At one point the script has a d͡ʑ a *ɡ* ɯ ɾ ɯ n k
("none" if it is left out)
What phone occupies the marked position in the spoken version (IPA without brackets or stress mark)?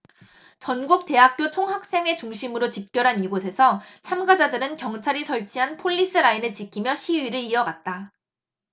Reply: d